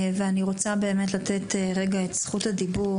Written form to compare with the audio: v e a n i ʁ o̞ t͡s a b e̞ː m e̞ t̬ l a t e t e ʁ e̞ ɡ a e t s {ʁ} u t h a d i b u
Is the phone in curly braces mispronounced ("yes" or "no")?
yes